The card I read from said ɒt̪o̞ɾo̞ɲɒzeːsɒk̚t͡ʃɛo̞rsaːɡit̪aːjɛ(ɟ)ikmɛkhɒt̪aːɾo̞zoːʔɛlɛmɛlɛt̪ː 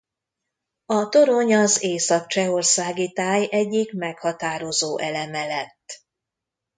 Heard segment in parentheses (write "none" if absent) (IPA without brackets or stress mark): ɟː